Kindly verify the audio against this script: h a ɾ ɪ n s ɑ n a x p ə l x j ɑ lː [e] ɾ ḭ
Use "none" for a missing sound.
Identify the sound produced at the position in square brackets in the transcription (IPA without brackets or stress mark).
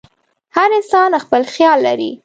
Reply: a